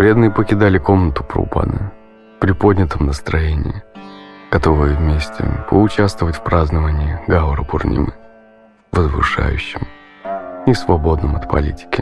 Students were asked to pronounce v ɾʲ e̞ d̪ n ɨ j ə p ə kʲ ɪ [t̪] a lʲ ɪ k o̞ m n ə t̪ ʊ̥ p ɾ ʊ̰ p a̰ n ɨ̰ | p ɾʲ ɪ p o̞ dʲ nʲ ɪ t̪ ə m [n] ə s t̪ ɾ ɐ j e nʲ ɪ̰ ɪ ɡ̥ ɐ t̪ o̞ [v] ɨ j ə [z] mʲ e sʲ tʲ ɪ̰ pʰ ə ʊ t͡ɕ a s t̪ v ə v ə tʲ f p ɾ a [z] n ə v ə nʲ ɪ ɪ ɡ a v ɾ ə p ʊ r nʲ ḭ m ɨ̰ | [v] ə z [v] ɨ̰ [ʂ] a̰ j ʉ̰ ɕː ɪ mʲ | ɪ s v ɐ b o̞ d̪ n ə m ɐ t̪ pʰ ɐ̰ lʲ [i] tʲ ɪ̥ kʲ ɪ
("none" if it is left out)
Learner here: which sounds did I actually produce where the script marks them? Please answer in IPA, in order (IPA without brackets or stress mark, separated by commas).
d̪, n, v, v, z, v, v, ʂ, i